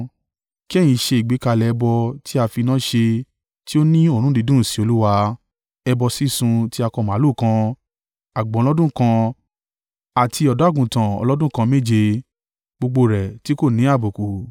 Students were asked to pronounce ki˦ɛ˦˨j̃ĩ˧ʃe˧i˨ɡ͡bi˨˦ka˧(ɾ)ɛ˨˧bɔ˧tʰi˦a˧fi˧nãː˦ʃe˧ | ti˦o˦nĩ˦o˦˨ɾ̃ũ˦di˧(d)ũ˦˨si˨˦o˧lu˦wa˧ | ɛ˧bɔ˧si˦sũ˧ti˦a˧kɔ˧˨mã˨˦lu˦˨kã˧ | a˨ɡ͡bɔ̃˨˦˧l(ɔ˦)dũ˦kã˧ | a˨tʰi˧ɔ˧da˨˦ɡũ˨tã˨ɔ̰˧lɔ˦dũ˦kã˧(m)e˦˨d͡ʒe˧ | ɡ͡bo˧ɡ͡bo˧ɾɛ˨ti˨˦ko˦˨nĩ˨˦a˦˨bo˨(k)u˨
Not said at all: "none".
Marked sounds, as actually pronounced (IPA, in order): l, d, ɔ˦, m, k

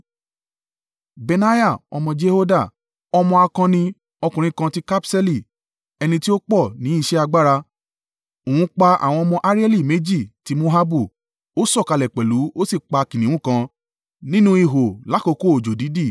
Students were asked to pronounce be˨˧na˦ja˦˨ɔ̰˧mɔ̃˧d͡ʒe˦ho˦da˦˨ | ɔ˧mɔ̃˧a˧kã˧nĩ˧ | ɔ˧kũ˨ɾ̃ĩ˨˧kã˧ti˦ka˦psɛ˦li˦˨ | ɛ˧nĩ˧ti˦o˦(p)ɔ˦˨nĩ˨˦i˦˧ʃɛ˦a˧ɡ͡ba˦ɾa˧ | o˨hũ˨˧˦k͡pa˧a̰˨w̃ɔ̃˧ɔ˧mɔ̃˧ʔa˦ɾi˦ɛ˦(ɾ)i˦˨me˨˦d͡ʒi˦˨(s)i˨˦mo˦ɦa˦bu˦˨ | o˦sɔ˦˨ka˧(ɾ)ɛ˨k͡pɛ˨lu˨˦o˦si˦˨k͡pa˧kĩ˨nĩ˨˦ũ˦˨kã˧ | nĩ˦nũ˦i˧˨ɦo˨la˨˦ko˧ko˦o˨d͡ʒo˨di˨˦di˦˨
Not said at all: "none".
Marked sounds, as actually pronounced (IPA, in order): k͡p, l, t, l

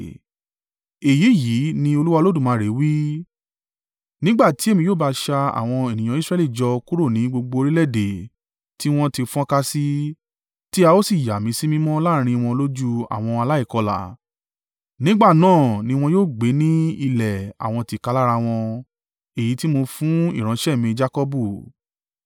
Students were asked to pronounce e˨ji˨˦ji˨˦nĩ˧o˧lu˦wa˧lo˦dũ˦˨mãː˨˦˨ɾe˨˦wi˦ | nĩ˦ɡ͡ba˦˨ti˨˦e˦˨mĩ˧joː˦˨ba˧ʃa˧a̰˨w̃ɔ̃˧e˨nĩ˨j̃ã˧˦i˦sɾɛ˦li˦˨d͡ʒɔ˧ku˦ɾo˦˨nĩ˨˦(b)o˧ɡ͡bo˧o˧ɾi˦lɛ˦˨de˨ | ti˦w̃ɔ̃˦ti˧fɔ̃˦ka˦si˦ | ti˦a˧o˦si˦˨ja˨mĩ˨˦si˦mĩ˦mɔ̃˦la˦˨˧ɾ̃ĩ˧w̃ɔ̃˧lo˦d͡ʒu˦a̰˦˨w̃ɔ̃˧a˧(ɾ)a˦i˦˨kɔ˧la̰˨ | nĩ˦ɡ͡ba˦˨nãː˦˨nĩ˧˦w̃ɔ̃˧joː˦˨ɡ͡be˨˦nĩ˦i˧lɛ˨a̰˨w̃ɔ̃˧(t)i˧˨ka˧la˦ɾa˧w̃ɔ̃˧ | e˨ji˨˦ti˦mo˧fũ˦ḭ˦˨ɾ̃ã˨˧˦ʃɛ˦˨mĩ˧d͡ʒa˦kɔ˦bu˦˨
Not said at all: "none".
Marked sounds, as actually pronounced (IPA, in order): ɡ͡b, l, t

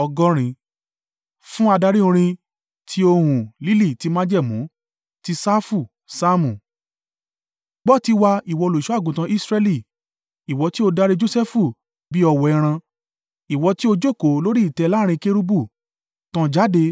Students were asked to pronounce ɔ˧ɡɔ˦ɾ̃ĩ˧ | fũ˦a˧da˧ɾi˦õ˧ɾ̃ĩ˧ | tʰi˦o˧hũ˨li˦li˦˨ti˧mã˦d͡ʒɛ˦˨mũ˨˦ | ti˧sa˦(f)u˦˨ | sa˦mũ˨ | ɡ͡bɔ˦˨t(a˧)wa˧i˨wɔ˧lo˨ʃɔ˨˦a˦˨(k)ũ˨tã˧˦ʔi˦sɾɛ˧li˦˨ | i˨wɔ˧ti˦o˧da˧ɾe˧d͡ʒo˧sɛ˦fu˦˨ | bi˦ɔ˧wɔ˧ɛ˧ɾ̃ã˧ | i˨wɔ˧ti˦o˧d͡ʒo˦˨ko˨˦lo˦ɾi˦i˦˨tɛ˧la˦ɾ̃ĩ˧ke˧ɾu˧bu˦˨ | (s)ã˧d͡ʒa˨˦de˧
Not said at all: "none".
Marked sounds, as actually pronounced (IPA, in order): f, i˧, ɡ, t

